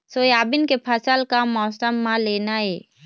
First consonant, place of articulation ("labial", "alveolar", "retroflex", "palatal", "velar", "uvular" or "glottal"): alveolar